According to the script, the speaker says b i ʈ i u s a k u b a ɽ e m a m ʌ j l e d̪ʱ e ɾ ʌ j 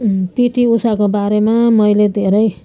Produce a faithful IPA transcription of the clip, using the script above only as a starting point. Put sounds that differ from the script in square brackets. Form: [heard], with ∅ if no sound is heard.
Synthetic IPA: [p] i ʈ i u s a k [o] b a [ɾ] e m a m ʌ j l e d̪ʱ e ɾ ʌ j